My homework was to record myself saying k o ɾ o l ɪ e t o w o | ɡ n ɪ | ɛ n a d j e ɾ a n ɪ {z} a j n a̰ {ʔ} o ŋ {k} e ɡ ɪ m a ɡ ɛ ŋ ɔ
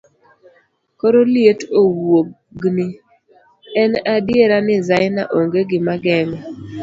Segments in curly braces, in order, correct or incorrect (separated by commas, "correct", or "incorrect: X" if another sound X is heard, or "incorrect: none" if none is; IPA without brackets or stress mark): correct, correct, incorrect: ɡ